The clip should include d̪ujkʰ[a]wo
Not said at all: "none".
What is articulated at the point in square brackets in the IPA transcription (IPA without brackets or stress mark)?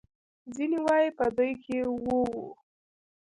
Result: e